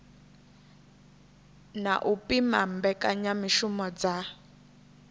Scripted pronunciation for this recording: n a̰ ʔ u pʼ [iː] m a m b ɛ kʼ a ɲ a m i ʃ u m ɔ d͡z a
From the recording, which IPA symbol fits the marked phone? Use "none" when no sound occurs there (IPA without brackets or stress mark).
i